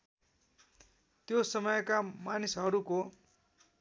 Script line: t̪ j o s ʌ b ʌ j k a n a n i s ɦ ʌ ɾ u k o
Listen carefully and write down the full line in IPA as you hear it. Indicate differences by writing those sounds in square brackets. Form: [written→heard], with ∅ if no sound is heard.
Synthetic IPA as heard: t̪ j o s ʌ [b→m] ʌ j k a [n→m] a n i s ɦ ʌ ɾ u k o